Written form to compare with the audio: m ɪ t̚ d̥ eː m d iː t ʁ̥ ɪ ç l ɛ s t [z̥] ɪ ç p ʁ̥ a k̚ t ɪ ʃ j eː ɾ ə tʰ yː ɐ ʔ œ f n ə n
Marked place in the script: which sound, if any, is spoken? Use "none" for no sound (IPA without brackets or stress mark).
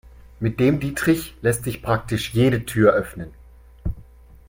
z̥